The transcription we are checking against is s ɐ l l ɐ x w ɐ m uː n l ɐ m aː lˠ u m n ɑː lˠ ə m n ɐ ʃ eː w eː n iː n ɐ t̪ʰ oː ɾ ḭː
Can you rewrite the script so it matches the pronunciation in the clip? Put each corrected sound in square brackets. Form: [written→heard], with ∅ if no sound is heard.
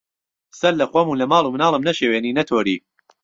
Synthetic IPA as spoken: s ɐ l l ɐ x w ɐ m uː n l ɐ m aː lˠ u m n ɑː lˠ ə m n ɐ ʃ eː w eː n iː n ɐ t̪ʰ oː ɾ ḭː